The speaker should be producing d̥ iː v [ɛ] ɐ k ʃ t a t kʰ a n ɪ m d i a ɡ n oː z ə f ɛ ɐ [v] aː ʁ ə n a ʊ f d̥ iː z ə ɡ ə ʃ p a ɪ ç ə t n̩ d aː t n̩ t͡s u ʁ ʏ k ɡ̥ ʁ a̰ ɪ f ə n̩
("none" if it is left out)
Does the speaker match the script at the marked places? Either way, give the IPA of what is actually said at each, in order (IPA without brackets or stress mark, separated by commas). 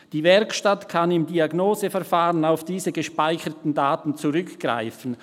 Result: ɛ, f